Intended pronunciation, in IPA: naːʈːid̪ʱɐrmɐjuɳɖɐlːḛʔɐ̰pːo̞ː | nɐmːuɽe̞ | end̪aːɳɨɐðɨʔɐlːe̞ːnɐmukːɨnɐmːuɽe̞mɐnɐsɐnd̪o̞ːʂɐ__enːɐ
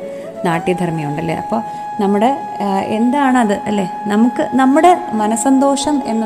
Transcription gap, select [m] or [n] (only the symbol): m